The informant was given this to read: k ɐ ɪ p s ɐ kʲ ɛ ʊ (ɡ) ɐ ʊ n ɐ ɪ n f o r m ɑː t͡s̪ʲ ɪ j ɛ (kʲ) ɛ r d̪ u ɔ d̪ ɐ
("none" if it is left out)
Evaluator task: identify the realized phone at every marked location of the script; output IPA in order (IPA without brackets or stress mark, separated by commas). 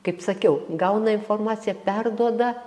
ɡ, pʲ